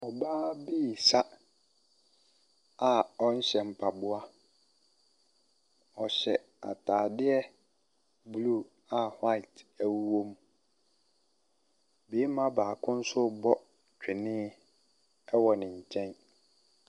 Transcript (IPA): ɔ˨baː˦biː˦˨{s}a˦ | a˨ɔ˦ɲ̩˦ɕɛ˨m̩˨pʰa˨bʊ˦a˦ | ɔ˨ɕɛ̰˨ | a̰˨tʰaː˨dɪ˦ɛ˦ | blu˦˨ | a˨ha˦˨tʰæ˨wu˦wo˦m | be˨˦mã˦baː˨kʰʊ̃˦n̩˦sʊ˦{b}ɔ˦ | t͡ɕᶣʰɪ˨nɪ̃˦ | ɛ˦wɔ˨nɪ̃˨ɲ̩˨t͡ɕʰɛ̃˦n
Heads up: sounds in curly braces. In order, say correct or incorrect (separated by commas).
correct, correct